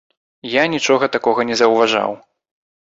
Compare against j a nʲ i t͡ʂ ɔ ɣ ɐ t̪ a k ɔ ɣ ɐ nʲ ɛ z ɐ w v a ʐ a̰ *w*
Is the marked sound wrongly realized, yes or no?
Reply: no